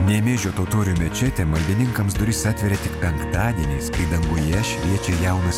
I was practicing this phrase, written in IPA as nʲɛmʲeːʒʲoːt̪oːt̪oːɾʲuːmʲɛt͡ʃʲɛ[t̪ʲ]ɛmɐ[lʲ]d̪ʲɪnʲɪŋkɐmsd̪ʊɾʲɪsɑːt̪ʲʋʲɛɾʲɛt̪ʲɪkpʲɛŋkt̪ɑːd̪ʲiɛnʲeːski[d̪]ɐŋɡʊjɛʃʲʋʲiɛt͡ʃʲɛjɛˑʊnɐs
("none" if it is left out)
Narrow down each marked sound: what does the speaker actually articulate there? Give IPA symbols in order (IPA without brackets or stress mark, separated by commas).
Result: t̪ʲ, lʲ, d̪